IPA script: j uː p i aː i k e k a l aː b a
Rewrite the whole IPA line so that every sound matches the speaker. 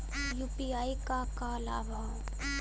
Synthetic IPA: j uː p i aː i k a k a l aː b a